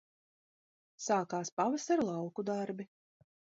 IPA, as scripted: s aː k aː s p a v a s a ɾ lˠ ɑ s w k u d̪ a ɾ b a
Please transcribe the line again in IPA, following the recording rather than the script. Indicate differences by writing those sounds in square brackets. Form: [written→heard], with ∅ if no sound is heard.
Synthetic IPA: s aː k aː s p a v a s a ɾ lˠ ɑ [s→∅] w k u d̪ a ɾ b [a→i]